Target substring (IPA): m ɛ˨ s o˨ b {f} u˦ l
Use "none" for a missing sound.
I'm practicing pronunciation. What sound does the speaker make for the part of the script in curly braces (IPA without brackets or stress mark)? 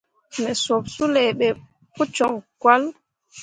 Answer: s